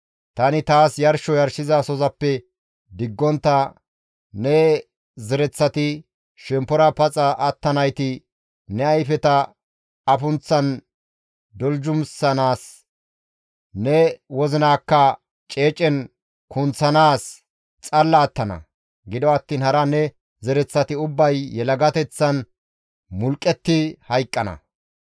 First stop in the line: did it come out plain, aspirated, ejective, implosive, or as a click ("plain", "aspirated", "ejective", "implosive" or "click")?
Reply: plain